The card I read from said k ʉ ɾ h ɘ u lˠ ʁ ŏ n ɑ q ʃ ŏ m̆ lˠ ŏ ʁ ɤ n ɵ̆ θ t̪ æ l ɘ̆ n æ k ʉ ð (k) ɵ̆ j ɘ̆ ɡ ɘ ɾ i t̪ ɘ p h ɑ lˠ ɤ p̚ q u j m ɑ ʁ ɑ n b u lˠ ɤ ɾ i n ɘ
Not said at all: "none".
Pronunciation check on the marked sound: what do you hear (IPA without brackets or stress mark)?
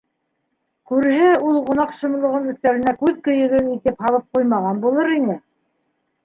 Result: k